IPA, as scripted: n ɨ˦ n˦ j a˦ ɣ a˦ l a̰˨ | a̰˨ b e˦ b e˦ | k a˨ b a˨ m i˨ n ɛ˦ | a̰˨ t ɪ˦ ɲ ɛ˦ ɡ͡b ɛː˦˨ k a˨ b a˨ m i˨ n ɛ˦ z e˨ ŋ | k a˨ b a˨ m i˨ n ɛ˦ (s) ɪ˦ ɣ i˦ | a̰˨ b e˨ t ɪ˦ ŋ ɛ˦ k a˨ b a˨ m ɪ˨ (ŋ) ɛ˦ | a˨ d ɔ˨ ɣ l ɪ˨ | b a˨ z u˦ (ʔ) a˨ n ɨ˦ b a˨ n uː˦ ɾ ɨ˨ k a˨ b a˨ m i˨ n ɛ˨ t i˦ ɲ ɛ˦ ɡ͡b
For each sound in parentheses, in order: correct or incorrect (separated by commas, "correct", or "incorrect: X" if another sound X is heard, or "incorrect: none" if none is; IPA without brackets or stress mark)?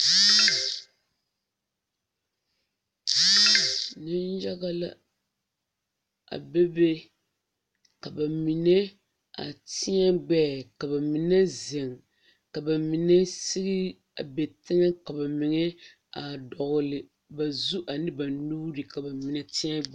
correct, correct, correct